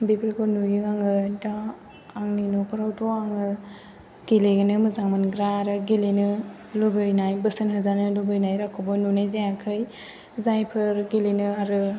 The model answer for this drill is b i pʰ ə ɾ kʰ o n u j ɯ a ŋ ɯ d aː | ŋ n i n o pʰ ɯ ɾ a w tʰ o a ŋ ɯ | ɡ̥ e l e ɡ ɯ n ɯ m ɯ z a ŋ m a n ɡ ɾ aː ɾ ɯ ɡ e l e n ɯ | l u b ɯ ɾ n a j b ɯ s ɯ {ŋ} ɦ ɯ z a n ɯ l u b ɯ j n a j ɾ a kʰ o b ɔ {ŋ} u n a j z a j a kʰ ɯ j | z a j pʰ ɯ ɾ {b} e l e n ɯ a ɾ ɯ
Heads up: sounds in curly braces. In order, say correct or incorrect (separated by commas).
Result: incorrect, incorrect, incorrect